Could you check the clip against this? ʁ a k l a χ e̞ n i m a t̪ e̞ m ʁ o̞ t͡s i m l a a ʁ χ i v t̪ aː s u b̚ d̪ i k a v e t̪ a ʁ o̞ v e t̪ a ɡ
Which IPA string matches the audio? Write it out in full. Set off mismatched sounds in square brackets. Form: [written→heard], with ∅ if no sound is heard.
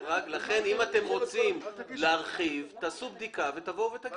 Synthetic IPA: ʁ a k l a χ e̞ n i m a t̪ e̞ m ʁ o̞ t͡s i m l [a→e] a ʁ χ i v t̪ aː s u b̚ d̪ i k a v e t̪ a [ʁ→v] o̞ v e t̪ a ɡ